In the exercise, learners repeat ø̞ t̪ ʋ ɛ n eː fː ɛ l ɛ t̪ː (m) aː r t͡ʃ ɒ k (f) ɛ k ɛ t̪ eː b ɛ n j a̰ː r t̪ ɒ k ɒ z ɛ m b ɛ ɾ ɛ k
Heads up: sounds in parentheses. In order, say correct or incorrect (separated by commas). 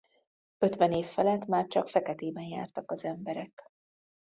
correct, correct